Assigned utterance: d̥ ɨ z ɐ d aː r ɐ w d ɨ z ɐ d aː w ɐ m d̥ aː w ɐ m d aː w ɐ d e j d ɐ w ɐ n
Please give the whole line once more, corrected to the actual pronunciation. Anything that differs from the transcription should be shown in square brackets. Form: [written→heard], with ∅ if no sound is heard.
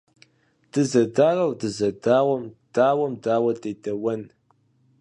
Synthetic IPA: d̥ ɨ z ɐ d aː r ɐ w d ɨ z ɐ d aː w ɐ m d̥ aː w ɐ m d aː w ɐ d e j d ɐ w ɐ n